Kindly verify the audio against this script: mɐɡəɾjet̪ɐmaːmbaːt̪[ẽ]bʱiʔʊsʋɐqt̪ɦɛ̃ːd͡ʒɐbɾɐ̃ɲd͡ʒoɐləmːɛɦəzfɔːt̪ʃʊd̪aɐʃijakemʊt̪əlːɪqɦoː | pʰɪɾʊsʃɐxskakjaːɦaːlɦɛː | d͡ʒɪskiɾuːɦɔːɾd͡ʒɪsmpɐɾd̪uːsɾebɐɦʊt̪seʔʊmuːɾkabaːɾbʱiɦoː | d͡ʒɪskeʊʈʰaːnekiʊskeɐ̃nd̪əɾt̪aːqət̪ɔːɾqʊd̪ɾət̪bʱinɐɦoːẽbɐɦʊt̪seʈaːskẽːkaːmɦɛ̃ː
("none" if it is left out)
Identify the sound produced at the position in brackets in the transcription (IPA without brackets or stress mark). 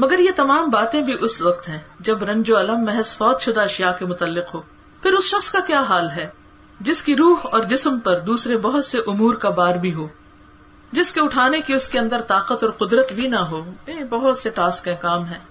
ẽ